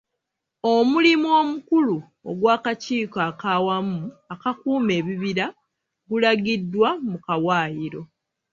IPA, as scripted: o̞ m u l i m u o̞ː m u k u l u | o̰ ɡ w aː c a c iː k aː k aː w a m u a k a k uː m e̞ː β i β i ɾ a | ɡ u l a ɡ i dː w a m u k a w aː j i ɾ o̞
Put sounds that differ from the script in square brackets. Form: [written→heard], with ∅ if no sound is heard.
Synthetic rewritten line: o̞ m u l i m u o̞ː m u k u l u | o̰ ɡ w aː [c→k] a c iː k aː k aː w a m u a k a k uː m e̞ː β i β i ɾ a | ɡ u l a ɡ i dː w a m u k a w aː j i ɾ o̞